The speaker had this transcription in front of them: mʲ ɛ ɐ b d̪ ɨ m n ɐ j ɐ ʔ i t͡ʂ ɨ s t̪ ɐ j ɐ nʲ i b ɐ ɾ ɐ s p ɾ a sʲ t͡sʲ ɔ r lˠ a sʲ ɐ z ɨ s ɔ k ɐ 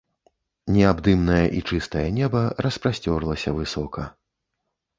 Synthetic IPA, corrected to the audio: nʲ ɛ a b d̪ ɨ m n ɐ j ɐ ʔ i t͡ʂ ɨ s t̪ ɐ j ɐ nʲ ɛ b ɐ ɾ ɐ s p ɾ a sʲ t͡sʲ ɔ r lˠ ɐ sʲ ɐ v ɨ s ɔ k ɐ